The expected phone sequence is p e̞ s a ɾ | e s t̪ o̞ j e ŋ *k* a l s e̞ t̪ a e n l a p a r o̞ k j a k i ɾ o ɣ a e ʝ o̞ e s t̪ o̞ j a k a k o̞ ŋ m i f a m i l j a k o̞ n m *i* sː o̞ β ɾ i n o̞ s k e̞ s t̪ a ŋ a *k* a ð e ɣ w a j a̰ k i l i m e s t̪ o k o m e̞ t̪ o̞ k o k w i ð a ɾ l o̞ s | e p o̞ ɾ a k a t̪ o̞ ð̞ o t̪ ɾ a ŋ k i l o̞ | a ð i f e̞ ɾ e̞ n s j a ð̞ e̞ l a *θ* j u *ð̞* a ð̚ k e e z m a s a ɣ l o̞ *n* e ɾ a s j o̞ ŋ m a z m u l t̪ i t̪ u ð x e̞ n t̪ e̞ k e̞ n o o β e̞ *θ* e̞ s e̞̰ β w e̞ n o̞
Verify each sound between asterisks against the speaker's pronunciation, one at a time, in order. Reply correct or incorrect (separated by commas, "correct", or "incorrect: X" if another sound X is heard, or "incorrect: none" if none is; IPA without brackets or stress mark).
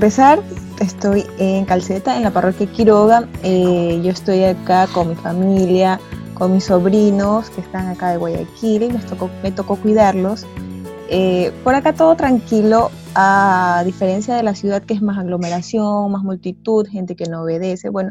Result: correct, correct, correct, incorrect: s, correct, incorrect: m, incorrect: ð